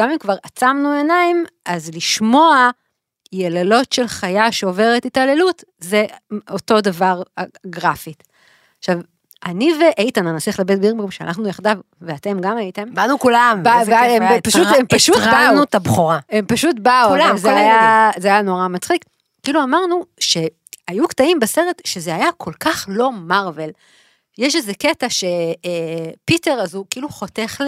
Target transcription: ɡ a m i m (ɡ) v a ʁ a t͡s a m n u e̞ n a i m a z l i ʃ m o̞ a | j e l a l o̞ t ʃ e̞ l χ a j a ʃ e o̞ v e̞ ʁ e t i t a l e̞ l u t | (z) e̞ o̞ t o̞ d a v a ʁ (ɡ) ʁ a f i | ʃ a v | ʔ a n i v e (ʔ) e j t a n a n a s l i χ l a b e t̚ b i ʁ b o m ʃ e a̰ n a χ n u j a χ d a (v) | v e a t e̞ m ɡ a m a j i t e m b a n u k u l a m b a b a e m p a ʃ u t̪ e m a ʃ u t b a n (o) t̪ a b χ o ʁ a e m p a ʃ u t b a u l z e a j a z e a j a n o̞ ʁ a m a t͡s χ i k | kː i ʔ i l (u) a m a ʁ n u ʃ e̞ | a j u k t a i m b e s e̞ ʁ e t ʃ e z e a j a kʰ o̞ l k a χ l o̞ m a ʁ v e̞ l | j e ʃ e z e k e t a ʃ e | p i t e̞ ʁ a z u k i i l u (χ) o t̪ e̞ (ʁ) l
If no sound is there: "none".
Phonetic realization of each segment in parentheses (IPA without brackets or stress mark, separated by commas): k, z, ɡ, ʔ, v, u, u, χ, χ